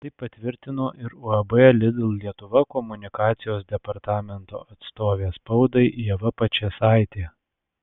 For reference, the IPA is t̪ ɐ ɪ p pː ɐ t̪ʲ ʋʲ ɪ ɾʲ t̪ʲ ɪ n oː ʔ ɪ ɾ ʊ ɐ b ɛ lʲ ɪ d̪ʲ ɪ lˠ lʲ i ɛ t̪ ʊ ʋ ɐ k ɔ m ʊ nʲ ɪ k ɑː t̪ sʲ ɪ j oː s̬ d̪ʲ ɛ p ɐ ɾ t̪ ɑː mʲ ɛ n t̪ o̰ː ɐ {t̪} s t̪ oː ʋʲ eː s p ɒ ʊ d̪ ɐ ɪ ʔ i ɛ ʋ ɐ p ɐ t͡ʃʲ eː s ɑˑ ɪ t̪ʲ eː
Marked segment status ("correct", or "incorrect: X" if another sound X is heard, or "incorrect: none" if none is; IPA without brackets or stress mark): correct